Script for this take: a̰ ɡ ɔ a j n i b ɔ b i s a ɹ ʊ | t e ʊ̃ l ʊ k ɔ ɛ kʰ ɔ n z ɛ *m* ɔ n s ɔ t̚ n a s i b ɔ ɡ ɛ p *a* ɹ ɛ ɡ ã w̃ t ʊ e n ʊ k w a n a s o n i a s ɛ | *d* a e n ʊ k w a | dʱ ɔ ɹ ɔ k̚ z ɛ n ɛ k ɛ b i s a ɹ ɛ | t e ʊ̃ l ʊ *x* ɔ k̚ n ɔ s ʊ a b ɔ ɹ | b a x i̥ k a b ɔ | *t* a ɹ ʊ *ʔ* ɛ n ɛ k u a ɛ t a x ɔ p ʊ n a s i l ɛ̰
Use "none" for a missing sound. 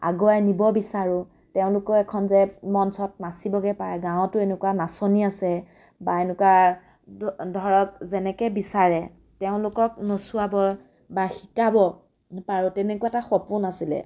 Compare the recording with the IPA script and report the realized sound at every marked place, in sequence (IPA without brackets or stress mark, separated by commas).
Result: m, a, b, k, p, t